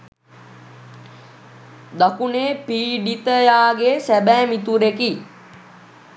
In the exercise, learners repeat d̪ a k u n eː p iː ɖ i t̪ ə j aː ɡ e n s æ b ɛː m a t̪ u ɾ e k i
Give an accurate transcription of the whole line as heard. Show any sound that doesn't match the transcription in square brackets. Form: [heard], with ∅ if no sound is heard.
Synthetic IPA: d̪ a k u n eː p iː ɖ i t̪ ə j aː ɡ e [∅] s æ b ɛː m [i] t̪ u ɾ e k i